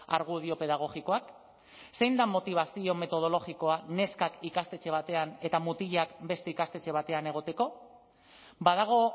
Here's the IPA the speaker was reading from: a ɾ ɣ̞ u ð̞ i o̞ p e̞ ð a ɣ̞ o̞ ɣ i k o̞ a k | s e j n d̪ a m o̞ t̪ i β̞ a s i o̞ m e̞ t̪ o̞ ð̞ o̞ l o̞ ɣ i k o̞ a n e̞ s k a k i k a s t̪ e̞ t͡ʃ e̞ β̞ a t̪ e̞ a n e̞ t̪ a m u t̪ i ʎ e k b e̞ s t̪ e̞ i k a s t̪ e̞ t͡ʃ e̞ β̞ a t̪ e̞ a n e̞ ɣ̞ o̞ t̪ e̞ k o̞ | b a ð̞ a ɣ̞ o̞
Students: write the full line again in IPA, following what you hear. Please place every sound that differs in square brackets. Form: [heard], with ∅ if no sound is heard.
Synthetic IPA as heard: a ɾ ɣ̞ u ð̞ i o̞ p e̞ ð a ɣ̞ o̞ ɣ i k o̞ a k | s e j n d̪ a m o̞ t̪ i β̞ a s i o̞ m e̞ t̪ o̞ ð̞ o̞ l o̞ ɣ i k o̞ a n e̞ s k a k i k a s t̪ e̞ t͡ʃ e̞ β̞ a t̪ e̞ a n e̞ t̪ a m u t̪ i ʎ [a] k b e̞ s t̪ e̞ i k a s t̪ e̞ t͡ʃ e̞ β̞ a t̪ e̞ a n e̞ ɣ̞ o̞ t̪ e̞ k o̞ | b a ð̞ a ɣ̞ o̞